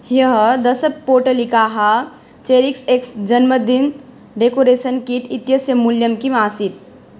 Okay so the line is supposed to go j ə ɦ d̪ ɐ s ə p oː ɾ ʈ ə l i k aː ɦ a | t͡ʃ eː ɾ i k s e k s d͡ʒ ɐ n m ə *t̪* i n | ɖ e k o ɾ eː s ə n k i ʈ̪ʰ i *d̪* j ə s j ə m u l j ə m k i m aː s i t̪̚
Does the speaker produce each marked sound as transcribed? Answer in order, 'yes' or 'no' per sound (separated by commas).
no, no